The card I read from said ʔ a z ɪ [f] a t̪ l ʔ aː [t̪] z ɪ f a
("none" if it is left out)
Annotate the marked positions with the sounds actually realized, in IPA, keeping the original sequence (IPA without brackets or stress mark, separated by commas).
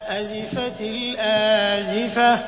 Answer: f, none